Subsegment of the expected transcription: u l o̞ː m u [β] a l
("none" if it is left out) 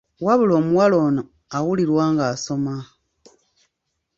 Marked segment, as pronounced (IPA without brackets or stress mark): w